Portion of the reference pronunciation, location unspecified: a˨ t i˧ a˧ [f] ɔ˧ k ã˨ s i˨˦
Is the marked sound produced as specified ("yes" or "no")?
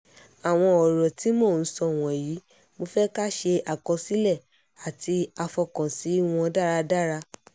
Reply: yes